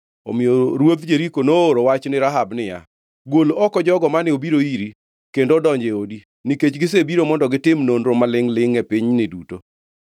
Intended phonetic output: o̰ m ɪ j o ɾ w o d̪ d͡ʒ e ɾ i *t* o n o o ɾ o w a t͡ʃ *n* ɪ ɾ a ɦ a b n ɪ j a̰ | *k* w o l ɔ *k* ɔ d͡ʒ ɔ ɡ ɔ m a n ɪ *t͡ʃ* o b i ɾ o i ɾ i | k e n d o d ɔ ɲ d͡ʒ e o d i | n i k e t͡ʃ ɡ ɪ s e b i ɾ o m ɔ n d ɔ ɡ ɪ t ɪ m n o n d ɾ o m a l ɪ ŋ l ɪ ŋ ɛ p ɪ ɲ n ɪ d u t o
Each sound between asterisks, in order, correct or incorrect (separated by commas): incorrect, correct, incorrect, correct, incorrect